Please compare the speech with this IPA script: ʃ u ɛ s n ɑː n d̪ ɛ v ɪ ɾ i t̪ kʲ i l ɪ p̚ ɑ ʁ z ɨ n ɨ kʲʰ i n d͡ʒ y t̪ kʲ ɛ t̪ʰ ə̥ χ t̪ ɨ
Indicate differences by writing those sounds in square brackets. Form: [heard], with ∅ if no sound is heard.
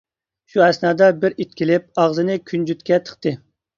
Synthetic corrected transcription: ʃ u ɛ s n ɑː [∅] d̪ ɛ [b] ɪ ɾ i t̪ kʲ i l ɪ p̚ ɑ ʁ z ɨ n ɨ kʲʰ [y] n d͡ʒ y t̪ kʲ ɛ t̪ʰ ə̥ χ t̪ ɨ

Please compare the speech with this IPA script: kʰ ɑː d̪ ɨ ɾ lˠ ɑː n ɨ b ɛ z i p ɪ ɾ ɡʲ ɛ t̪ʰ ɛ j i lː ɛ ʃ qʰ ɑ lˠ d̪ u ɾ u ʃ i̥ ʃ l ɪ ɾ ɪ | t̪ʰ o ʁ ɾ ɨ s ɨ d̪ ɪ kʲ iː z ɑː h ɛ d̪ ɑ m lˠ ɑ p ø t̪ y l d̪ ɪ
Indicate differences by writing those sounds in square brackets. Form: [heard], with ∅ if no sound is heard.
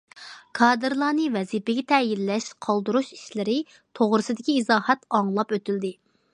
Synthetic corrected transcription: kʰ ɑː d̪ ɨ ɾ lˠ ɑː n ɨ [v] ɛ z i p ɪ [∅] ɡʲ ɛ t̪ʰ ɛ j i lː ɛ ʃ qʰ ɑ lˠ d̪ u ɾ u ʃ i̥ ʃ l ɪ ɾ ɪ | t̪ʰ o ʁ ɾ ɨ s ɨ d̪ ɪ kʲ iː z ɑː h ɛ [t̪] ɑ [ŋ] lˠ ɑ p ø t̪ y l d̪ ɪ

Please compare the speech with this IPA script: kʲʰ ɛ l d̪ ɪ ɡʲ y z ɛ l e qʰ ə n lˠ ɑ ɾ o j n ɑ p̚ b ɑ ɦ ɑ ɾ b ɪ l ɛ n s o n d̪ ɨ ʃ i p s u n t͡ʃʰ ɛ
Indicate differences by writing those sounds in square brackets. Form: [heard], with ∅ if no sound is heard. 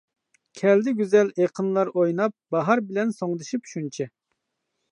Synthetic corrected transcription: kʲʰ ɛ l d̪ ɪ ɡʲ y z ɛ l e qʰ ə n lˠ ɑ ɾ o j n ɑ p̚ b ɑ ɦ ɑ ɾ b ɪ l ɛ n s o [ŋ] d̪ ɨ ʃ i p [ʃ] u n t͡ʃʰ ɛ

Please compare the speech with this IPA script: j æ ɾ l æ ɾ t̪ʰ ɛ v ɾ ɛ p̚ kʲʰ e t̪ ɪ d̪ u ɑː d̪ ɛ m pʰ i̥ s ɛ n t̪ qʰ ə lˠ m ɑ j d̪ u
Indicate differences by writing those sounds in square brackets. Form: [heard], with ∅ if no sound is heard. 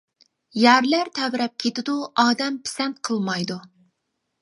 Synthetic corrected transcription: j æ ɾ l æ ɾ t̪ʰ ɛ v ɾ ɛ p̚ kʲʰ e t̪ ɪ d̪ u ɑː d̪ ɛ m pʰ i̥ s ɛ n t̪ qʰ ə lˠ m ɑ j d̪ u

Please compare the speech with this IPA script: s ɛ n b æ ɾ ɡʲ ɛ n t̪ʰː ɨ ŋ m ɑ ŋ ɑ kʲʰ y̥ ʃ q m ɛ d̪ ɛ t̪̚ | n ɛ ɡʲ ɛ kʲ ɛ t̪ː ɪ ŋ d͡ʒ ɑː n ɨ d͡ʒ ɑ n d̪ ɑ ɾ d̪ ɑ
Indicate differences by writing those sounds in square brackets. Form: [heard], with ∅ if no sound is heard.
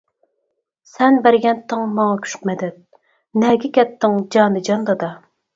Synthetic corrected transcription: s ɛ n b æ ɾ ɡʲ ɛ n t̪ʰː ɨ ŋ m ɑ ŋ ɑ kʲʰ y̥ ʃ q m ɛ d̪ ɛ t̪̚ | n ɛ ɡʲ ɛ kʲ ɛ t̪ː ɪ ŋ d͡ʒ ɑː n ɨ d͡ʒ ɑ n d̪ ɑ [∅] d̪ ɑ

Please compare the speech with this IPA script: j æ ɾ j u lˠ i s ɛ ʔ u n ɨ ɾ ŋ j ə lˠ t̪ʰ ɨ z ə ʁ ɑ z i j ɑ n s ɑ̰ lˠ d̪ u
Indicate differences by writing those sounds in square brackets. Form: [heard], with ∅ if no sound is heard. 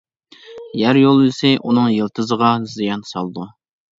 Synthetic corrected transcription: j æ ɾ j [o] lˠ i s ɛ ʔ u n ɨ [∅] ŋ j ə lˠ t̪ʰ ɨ z ə ʁ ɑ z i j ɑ n s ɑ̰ lˠ d̪ u

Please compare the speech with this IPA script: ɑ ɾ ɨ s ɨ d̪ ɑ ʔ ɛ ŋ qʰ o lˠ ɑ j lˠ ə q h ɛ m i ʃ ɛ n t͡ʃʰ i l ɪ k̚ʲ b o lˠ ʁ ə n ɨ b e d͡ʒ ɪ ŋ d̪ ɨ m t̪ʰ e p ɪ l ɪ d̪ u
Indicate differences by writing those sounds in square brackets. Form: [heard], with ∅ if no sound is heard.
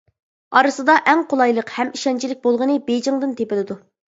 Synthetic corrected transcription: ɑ ɾ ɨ s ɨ d̪ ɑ ʔ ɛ ŋ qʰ o lˠ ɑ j lˠ ə q h ɛ m i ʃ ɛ n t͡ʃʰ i l ɪ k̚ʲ b o lˠ ʁ ə n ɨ b e d͡ʒ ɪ ŋ d̪ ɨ [n] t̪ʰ e p ɪ l ɪ d̪ u

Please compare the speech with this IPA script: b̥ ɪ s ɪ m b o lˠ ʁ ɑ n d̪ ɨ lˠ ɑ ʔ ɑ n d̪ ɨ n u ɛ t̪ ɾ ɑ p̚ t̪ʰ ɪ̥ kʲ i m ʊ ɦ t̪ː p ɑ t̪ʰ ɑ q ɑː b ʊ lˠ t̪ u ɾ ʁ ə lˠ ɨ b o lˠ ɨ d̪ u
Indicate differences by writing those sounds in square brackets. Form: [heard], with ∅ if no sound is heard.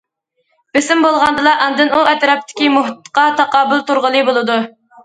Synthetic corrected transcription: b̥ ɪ s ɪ m b o lˠ ʁ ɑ n d̪ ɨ lˠ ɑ ʔ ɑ n d̪ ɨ n u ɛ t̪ ɾ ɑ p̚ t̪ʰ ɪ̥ kʲ i m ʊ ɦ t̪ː [q] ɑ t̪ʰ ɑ q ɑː b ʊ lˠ t̪ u ɾ ʁ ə lˠ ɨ b o lˠ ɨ d̪ u

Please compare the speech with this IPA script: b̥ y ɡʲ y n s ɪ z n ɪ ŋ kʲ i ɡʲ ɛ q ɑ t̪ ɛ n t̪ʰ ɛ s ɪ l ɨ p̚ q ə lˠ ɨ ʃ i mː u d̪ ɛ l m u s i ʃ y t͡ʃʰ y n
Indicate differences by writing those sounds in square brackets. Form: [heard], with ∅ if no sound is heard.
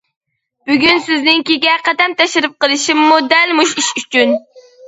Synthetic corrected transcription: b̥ y ɡʲ y n s ɪ z n ɪ ŋ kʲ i ɡʲ ɛ q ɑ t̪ ɛ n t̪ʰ ɛ [ʃ] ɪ [ɾ] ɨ p̚ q ə lˠ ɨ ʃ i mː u d̪ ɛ l m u [ʃ] i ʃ y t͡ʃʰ y n

